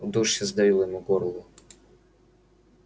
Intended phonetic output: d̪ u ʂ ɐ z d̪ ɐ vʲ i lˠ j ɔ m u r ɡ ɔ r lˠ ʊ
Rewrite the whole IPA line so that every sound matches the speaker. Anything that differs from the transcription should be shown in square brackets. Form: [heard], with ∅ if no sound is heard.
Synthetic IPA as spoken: d̪ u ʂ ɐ z d̪ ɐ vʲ i lˠ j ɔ m u [∅] ɡ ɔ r lˠ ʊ